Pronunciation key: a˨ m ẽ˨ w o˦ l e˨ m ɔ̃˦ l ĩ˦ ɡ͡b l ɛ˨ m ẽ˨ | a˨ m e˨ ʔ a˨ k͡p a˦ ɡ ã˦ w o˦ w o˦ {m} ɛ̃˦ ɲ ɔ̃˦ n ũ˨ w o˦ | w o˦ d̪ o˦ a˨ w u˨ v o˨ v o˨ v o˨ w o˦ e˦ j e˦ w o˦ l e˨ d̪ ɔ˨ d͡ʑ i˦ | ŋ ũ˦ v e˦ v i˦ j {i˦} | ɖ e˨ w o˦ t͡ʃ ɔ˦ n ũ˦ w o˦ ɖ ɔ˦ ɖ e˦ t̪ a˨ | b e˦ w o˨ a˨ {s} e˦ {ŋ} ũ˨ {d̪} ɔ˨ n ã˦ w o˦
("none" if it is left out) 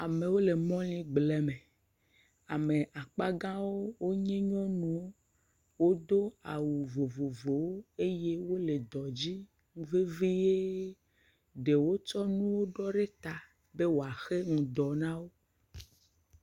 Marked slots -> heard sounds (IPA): ɲ, e˦, x, ŋ, d̪

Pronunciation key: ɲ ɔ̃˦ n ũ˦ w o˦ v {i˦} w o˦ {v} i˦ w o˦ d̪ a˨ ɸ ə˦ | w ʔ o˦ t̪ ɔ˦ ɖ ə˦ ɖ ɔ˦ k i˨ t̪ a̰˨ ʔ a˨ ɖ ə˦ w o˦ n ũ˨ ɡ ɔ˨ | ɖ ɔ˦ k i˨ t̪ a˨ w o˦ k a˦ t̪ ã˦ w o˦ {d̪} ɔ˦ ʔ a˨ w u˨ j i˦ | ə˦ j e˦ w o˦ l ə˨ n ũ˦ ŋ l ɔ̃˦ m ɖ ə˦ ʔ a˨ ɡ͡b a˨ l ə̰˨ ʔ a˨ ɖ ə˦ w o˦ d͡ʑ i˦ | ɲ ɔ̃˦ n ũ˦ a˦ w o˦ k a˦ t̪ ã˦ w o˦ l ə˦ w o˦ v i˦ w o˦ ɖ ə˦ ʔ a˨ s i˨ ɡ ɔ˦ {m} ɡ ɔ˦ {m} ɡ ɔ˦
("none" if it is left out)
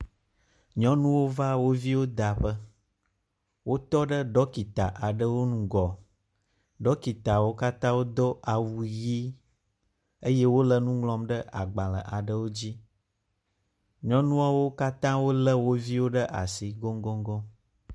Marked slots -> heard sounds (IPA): a˦, v, d̪, ŋ, ŋ

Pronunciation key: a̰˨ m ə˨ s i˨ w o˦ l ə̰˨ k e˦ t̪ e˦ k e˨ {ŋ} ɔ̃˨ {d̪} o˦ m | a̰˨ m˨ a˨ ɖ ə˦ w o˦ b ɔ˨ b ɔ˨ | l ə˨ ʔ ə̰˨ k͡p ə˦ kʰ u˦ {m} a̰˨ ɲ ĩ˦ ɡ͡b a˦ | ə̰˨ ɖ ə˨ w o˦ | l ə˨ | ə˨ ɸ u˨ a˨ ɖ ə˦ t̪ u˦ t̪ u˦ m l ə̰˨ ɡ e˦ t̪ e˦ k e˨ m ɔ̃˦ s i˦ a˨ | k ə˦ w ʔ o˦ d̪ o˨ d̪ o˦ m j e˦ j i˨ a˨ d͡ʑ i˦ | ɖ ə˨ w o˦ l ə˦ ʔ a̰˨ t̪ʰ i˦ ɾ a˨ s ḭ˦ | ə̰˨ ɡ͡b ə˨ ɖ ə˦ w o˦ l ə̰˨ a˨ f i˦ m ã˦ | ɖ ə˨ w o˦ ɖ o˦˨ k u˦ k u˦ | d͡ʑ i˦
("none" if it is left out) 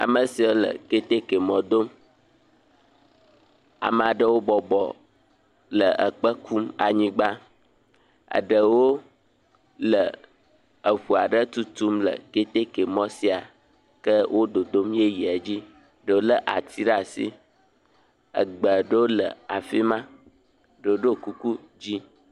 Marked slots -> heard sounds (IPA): m, d̪, m

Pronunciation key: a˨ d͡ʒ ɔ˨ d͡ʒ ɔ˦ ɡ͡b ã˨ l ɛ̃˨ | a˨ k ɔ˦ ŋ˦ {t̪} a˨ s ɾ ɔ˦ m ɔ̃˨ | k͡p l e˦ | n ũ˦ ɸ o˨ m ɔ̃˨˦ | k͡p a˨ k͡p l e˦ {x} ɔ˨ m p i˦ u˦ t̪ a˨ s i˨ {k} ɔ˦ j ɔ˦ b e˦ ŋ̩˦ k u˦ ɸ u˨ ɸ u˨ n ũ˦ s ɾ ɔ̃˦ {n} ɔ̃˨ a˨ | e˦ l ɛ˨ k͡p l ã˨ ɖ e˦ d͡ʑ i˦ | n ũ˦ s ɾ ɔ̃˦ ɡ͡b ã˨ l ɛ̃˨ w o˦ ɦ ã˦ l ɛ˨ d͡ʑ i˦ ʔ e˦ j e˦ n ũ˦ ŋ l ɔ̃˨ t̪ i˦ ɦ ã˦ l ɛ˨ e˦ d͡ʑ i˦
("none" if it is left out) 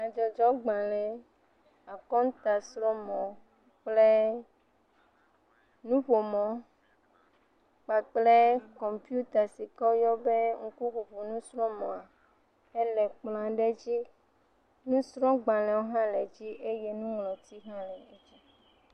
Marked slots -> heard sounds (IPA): t̪, k, k, m

